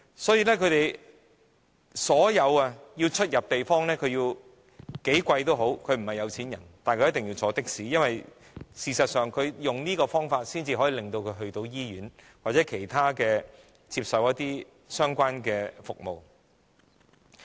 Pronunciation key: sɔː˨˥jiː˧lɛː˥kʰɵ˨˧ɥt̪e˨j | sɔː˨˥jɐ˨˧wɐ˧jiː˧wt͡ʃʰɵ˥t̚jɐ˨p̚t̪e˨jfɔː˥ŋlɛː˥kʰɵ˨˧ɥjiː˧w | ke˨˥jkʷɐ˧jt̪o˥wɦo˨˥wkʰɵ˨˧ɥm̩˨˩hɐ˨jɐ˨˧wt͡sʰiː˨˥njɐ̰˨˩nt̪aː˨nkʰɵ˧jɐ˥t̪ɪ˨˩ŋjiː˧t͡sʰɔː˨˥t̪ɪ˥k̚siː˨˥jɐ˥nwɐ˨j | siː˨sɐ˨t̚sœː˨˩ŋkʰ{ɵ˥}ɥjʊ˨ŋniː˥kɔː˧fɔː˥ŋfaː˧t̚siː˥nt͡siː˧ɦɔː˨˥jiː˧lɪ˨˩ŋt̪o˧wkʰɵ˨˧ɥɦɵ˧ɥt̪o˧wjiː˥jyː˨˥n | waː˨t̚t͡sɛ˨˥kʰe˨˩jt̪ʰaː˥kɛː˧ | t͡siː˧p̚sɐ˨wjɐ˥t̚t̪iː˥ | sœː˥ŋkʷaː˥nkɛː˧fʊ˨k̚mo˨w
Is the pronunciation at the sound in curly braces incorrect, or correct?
incorrect